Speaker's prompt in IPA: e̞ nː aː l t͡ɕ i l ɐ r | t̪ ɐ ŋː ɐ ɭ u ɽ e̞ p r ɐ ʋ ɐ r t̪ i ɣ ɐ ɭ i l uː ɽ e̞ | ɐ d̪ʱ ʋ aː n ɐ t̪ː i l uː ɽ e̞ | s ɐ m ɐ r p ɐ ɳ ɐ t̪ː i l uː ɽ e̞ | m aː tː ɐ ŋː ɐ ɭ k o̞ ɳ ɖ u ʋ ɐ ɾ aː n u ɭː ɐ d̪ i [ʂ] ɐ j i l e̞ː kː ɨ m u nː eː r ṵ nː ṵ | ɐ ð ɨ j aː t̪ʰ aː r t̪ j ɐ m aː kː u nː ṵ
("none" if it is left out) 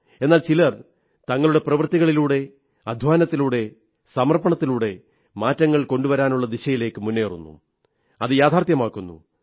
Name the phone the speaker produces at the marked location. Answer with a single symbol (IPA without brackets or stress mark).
ɕ